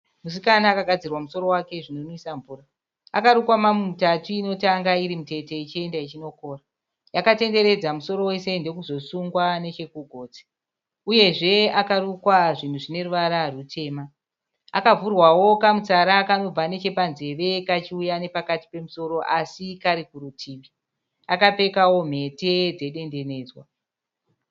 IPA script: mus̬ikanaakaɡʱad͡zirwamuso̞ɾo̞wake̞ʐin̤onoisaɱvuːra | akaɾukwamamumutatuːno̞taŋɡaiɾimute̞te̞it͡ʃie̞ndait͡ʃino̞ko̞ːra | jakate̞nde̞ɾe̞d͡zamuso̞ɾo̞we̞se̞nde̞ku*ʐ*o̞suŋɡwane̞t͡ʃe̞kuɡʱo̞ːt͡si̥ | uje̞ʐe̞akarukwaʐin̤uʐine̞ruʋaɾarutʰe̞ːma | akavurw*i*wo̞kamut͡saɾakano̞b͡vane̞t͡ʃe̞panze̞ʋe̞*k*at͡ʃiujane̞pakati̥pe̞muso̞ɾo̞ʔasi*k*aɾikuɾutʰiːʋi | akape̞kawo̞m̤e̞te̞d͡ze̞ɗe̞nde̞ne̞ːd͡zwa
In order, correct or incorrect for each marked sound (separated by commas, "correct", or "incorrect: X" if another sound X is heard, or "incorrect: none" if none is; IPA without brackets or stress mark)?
incorrect: z, incorrect: a, correct, correct